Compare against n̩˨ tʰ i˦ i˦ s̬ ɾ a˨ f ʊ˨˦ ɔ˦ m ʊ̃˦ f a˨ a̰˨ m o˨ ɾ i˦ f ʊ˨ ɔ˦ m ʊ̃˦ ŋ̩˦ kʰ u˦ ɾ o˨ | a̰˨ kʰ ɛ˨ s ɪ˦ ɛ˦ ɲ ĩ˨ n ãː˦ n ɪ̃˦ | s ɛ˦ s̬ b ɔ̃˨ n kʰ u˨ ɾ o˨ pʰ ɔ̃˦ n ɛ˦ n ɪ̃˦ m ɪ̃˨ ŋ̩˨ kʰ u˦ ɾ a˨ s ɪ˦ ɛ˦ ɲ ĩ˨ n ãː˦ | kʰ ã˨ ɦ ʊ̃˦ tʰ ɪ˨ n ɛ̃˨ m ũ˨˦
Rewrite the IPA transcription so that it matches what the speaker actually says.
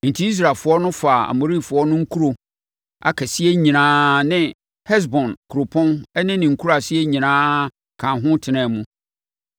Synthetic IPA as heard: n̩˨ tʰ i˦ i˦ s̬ ɾ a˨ f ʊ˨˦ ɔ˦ n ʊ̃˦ f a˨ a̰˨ m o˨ ɾ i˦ f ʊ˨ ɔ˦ n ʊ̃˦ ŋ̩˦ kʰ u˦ ɾ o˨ | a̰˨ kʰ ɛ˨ s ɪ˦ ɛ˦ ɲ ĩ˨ n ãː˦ n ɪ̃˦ | h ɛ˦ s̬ b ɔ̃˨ n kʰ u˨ ɾ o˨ pʰ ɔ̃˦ n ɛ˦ n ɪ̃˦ n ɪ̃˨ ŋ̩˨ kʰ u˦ ɾ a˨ s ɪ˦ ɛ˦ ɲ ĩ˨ n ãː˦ | kʰ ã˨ ɦ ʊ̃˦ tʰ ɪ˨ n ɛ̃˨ m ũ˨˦